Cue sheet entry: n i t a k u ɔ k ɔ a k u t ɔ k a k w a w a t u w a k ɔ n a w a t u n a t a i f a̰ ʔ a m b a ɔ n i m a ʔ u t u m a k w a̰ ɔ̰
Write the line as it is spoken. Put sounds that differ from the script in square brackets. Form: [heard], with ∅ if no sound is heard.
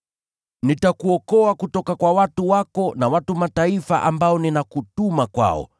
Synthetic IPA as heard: n i t a k u ɔ k ɔ a k u t ɔ k a k w a w a t u w a k ɔ n a w a t u [m] a t a i f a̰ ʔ a m b a ɔ n i [n] a [k] u t u m a k w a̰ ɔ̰